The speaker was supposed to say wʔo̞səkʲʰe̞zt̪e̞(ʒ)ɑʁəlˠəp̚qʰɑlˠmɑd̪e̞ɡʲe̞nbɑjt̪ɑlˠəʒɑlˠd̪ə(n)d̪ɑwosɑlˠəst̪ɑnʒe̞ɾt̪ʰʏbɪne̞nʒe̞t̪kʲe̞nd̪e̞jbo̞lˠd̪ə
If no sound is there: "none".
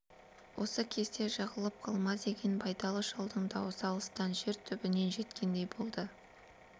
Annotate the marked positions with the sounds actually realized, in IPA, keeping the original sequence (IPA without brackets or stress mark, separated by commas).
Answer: ʒ, ɴ